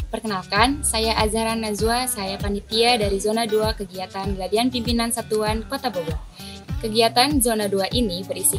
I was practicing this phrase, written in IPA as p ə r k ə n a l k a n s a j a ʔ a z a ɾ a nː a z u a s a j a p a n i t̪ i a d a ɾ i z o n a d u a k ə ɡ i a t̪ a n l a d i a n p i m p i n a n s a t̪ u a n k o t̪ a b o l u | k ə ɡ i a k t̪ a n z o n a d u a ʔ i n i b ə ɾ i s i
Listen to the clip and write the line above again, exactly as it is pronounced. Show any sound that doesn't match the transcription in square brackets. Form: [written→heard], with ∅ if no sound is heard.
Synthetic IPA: p ə r k ə n a l k a n s a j a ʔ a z a ɾ a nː a z u a s a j a p a n i t̪ i a d a ɾ i z o n a d u a k ə ɡ i a t̪ a n l a d i a n p i m p i n a n s a t̪ u a n k o t̪ a b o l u | k ə ɡ i a [k→∅] t̪ a n z o n a d u a ʔ i n i b ə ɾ i s i